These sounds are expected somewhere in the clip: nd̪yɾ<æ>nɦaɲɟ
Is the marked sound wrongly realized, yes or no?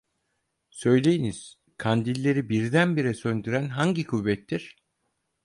no